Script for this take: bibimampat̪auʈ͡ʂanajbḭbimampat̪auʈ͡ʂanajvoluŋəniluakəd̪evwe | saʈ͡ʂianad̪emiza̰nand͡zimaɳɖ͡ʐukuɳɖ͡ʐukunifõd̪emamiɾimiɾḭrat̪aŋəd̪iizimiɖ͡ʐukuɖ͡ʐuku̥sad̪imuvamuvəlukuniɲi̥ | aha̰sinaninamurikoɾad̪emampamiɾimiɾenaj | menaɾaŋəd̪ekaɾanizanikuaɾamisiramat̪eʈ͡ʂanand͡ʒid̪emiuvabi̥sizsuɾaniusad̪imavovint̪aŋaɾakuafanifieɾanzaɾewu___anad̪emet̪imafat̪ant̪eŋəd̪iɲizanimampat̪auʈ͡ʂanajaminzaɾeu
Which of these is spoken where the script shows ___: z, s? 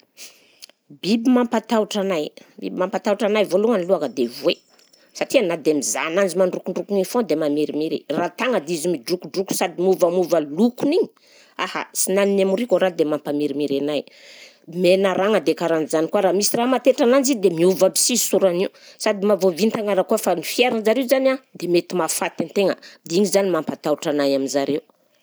z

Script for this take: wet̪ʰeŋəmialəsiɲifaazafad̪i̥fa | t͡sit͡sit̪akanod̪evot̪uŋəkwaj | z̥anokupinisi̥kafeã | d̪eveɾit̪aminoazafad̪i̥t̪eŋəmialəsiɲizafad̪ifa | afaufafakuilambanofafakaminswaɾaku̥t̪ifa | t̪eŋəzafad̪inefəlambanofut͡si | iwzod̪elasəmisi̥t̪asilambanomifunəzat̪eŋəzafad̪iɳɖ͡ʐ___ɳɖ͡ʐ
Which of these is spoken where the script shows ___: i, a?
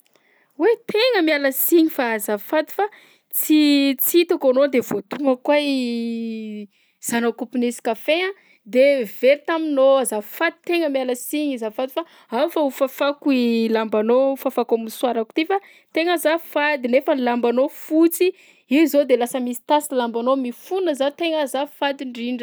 i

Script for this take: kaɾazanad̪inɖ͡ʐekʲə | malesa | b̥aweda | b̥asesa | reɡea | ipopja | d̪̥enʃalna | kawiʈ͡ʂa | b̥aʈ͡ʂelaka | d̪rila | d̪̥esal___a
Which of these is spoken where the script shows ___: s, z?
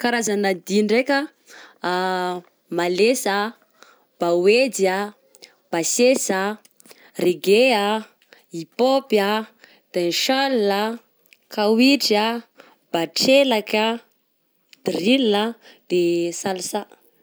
s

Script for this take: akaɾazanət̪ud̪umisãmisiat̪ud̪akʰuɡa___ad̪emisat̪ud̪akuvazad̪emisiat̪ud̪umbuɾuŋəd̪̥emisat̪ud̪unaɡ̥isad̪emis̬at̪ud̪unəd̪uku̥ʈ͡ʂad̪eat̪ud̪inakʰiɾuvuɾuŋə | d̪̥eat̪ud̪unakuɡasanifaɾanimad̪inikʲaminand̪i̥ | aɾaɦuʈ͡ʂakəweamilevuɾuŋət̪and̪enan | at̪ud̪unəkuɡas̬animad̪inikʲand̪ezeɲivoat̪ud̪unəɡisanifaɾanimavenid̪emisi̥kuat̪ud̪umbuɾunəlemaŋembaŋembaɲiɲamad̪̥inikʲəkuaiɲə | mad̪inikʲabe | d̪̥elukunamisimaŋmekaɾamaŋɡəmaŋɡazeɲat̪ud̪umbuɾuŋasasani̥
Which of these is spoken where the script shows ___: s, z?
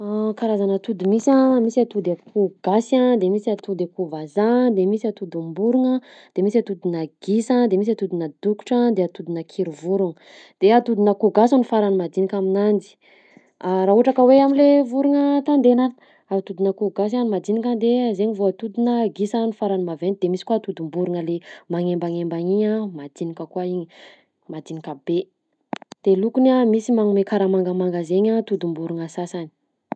s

